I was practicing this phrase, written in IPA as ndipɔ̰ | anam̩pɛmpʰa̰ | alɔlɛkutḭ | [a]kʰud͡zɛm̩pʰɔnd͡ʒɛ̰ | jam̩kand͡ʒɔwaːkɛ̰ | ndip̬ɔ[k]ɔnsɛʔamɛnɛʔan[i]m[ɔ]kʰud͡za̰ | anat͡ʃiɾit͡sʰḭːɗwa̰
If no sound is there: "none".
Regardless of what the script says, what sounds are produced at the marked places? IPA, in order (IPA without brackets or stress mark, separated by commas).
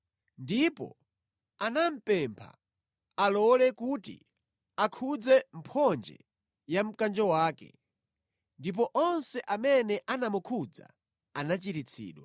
a, ʔ, a, u